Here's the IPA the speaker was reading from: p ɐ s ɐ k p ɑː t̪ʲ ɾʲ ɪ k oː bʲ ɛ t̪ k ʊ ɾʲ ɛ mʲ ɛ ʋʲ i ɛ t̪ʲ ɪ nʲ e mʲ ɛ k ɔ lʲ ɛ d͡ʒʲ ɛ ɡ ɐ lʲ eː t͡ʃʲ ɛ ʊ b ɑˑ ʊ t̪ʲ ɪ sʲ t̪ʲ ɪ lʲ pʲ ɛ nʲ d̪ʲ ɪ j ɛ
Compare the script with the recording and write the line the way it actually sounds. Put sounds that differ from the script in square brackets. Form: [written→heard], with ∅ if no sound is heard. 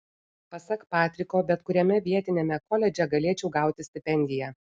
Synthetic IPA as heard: p ɐ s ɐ k p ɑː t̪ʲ ɾʲ ɪ k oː bʲ ɛ t̪ k ʊ ɾʲ ɛ mʲ ɛ ʋʲ i ɛ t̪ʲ ɪ nʲ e mʲ ɛ k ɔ lʲ ɛ d͡ʒʲ ɛ ɡ ɐ lʲ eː t͡ʃʲ ɛ ʊ [b→ɡ] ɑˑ ʊ t̪ʲ ɪ sʲ t̪ʲ ɪ [lʲ→∅] pʲ ɛ nʲ d̪ʲ ɪ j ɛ